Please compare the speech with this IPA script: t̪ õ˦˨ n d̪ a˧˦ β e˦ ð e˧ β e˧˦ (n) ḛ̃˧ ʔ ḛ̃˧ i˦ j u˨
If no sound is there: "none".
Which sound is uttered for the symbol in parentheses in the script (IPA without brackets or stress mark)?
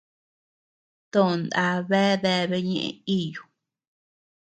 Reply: ɲ